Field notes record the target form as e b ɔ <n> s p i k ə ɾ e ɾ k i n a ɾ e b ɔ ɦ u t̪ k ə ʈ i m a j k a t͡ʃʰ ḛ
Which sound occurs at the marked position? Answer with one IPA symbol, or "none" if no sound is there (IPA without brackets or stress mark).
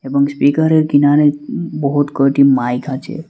ŋ